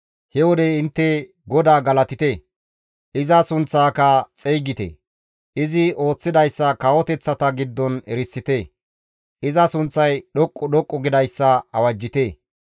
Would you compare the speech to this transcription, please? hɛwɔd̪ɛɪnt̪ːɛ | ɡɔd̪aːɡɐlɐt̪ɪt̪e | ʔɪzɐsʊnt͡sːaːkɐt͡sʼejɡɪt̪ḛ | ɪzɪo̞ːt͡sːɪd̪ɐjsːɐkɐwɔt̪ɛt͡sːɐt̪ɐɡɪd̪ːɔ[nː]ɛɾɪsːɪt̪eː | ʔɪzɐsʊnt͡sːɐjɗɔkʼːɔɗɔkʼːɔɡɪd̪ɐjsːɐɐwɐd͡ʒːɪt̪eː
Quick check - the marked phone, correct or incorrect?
incorrect